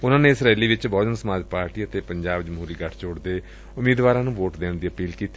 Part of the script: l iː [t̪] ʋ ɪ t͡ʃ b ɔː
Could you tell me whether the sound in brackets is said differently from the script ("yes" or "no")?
yes